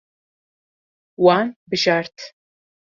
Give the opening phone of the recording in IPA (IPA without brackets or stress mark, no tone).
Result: w